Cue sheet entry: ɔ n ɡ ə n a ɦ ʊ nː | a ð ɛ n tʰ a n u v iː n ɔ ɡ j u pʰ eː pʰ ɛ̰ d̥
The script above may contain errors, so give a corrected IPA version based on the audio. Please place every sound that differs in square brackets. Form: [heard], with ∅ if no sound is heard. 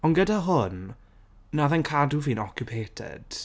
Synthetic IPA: ɔ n ɡ ə [d] a ɦ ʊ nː | a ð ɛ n [kʰ] a [d] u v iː n ɔ [k] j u pʰ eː [tʰ] ɛ̰ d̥